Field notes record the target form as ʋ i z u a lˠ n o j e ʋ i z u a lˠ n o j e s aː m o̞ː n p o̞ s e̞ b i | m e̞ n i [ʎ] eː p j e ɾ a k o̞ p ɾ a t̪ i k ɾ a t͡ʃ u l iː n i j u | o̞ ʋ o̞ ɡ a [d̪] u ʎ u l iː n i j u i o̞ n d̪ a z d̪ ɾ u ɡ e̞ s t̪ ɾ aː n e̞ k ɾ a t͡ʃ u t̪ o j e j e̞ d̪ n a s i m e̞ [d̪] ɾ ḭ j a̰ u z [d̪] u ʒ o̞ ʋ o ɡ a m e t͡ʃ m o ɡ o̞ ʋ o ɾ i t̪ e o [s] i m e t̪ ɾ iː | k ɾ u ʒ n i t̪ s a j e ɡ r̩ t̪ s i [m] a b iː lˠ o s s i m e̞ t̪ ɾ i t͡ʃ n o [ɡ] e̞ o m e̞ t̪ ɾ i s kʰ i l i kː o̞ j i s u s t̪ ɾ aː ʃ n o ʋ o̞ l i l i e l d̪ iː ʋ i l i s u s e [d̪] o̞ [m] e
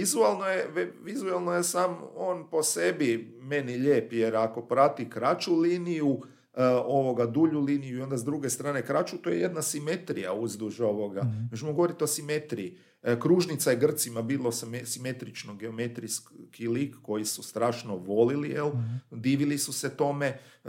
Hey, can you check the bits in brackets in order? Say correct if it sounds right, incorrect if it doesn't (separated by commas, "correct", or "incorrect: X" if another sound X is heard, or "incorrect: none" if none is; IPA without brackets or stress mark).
correct, correct, incorrect: t̪, correct, correct, correct, correct, incorrect: t̪, correct